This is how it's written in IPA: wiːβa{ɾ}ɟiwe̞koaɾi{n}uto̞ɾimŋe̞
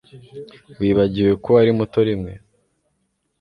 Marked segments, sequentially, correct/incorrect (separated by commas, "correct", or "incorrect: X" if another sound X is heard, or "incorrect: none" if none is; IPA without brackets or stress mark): incorrect: none, incorrect: m